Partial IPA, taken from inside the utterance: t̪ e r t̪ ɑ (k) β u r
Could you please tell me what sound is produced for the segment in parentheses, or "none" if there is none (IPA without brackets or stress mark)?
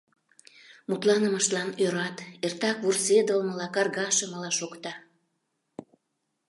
k